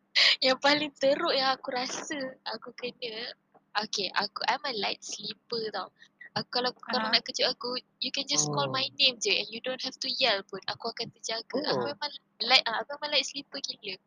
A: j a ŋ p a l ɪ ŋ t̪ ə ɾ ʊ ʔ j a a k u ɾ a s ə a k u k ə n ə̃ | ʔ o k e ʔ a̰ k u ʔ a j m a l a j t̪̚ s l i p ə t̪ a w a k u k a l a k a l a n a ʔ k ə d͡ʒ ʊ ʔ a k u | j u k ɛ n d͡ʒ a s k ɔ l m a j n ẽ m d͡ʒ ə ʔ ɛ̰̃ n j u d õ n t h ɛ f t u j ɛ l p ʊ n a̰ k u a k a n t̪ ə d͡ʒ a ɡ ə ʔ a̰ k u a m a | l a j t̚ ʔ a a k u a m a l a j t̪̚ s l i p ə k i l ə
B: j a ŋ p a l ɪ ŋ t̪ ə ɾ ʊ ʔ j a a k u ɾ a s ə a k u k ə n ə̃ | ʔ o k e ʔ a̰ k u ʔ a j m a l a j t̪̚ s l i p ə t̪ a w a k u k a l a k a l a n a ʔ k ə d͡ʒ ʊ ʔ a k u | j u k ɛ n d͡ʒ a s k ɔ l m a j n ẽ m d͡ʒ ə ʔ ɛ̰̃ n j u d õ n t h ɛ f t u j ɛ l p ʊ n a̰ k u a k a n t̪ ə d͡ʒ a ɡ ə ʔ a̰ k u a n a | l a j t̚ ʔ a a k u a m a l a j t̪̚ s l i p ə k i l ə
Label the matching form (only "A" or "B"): A